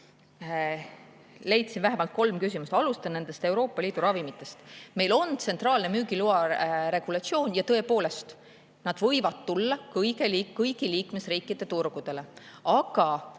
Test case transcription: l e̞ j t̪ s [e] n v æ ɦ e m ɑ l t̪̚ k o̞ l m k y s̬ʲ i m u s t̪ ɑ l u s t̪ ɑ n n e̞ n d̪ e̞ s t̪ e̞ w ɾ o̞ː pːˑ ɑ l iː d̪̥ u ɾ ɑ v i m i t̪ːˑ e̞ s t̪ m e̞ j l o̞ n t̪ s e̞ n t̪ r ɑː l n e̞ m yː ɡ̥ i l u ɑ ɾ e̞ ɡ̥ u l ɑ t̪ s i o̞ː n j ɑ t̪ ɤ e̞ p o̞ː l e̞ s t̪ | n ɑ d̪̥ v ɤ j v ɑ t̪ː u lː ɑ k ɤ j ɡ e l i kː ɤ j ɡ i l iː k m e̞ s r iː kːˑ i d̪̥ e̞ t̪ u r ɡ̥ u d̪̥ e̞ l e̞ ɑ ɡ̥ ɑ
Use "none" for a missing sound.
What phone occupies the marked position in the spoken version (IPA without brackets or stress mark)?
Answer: i